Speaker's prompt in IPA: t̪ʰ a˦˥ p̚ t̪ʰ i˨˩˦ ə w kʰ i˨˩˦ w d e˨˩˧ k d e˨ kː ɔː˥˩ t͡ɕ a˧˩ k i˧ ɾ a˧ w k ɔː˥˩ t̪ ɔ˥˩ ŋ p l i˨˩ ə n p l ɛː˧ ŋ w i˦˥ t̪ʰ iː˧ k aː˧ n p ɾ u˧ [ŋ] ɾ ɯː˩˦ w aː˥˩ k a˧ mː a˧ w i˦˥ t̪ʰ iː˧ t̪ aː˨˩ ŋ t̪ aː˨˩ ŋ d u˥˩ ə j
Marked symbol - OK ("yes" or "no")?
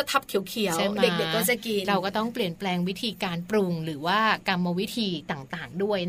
yes